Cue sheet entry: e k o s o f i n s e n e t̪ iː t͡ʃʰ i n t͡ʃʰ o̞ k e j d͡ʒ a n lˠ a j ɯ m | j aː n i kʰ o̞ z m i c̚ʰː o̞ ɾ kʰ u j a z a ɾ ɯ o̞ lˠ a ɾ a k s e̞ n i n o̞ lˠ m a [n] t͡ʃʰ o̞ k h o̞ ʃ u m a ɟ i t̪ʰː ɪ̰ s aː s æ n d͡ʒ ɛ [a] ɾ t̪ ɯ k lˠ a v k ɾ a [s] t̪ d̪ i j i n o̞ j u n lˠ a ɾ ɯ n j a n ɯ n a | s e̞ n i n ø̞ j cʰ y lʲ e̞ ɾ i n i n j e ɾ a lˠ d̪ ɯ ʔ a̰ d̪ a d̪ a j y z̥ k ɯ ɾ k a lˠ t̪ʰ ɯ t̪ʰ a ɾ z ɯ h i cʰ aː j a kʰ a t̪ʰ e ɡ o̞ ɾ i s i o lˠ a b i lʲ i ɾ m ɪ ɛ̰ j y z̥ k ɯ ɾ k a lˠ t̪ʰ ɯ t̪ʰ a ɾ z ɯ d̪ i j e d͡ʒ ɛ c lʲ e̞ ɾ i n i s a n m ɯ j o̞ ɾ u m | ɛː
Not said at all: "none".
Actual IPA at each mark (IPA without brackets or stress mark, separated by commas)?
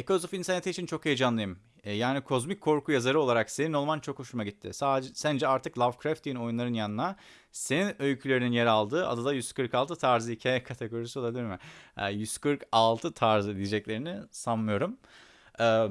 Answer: n, a, f